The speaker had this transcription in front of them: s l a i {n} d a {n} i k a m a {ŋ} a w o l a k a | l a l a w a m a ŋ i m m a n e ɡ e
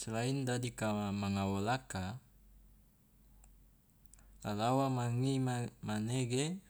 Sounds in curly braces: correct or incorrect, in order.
correct, incorrect: d, correct

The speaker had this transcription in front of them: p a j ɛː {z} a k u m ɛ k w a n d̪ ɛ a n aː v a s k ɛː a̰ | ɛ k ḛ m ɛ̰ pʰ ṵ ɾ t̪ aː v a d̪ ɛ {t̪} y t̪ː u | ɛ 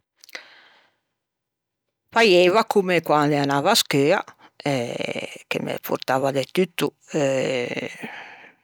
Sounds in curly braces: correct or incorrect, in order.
incorrect: v, correct

